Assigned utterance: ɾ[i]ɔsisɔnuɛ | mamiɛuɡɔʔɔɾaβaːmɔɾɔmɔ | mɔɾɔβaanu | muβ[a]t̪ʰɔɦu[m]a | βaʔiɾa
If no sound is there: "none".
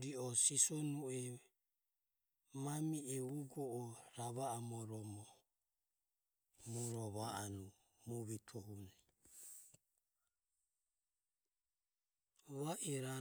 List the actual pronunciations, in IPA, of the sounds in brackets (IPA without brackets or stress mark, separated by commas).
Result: i, i, n